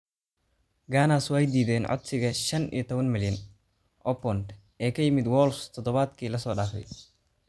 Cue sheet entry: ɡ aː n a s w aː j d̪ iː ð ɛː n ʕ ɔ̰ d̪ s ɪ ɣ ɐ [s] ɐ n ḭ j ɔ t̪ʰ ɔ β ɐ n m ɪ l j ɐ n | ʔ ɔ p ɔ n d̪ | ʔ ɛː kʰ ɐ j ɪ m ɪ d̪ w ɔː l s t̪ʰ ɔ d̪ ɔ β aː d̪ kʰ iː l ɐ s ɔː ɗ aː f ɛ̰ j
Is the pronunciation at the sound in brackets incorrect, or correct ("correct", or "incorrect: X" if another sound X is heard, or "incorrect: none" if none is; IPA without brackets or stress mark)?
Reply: incorrect: ʃ